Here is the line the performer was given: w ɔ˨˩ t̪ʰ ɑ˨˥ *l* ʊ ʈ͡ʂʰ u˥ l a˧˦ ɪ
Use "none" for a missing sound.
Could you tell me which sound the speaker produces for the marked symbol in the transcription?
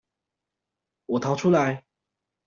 none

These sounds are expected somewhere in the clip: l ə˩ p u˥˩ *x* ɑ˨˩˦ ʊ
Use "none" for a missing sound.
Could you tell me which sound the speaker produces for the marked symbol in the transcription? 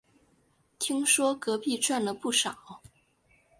ʂ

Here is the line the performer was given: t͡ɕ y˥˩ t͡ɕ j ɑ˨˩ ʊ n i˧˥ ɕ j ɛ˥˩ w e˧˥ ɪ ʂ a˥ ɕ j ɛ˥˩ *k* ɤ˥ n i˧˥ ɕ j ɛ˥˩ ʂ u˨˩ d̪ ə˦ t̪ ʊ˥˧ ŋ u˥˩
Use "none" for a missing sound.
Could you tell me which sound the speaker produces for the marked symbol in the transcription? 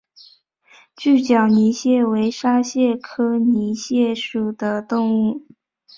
kʰ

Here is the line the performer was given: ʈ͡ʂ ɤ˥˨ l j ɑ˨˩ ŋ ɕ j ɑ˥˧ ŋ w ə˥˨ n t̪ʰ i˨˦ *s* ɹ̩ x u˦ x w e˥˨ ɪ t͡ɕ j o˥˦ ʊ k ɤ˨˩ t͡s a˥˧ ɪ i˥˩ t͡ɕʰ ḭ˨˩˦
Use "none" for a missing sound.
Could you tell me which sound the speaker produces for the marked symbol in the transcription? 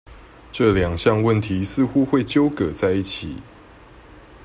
s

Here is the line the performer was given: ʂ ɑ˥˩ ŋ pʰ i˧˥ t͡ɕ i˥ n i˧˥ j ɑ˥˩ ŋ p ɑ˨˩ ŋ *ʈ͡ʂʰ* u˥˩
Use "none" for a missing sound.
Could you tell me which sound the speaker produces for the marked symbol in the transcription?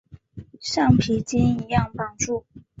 ʈ͡ʂ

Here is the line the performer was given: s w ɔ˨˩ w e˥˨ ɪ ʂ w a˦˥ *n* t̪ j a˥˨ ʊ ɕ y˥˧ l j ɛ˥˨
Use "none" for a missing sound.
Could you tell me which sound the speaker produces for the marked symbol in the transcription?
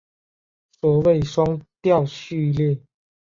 ŋ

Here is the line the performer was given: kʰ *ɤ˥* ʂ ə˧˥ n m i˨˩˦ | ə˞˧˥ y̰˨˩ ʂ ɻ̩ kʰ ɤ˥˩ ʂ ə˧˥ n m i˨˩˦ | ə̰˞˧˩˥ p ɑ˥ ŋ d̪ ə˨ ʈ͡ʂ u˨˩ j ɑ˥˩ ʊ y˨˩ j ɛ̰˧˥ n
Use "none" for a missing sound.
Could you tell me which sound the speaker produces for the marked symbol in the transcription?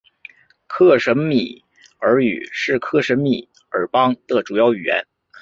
ɤ˥˩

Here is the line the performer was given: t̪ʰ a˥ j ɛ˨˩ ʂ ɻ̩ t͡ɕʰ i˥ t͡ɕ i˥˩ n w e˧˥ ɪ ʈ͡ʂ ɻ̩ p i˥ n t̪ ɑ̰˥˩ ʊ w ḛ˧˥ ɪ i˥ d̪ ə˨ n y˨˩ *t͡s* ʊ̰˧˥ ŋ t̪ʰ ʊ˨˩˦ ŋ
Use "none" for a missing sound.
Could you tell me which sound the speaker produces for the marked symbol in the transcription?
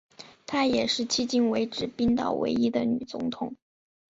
t͡s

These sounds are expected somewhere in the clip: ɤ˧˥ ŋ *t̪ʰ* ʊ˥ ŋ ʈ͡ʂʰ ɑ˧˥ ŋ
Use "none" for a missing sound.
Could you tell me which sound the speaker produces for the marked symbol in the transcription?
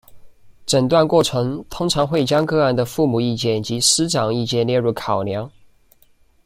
t̪ʰ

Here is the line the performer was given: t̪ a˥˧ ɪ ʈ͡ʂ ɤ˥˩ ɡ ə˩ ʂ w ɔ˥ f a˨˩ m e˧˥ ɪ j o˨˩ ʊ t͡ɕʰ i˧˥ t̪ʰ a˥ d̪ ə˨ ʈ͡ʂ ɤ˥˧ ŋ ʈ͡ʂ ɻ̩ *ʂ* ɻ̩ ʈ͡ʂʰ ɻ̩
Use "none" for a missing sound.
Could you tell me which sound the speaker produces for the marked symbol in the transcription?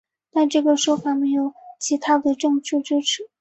ʈ͡ʂ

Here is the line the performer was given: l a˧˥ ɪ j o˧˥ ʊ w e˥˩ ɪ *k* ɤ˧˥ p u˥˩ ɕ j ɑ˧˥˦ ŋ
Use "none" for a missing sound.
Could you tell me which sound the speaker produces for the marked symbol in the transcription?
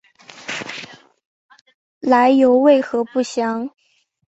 x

